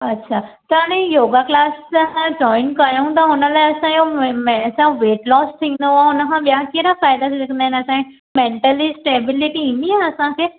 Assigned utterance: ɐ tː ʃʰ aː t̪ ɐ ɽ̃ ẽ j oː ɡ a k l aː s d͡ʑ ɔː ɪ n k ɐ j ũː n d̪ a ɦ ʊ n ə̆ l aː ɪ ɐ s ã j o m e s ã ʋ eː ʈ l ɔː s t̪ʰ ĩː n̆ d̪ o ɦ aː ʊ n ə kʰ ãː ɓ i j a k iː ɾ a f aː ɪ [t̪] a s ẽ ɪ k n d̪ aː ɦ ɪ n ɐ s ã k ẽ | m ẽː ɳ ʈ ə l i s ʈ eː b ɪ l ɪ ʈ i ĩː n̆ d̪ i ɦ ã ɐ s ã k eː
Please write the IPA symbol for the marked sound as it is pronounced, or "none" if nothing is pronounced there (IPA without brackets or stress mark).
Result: d̪